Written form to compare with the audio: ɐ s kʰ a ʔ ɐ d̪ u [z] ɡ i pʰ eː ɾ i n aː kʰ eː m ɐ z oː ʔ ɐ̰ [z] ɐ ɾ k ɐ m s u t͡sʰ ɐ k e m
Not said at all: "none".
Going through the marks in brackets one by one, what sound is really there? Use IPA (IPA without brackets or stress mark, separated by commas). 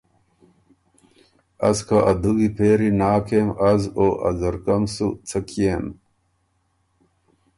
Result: none, z